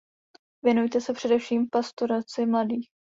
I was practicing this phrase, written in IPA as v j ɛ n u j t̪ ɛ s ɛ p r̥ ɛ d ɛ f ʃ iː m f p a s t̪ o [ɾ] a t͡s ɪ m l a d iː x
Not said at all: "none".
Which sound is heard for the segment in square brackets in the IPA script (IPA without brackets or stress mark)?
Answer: ɾ